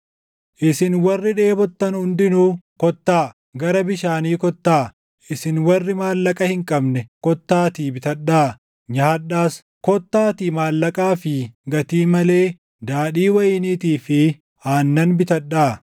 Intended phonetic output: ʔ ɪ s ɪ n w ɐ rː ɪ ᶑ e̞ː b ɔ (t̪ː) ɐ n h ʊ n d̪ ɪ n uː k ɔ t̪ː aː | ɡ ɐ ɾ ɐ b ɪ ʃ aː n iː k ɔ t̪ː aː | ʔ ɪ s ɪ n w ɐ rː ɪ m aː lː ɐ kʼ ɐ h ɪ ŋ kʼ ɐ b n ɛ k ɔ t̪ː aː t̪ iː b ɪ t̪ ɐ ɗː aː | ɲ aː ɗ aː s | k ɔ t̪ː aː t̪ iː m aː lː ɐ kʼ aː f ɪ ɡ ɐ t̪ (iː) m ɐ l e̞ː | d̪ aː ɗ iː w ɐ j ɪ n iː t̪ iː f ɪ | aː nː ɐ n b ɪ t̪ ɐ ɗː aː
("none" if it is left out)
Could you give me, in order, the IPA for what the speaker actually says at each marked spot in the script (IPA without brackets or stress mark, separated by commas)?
t̪ː, iː